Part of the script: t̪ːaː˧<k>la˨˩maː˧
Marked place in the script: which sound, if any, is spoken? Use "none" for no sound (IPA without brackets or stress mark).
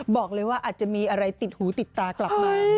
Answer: k